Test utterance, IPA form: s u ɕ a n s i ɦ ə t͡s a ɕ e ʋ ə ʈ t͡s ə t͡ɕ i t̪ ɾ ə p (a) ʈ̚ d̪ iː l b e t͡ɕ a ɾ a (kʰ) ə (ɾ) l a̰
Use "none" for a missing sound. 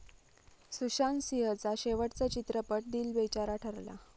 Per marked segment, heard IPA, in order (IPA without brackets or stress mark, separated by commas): ə, ʈʰ, ɾ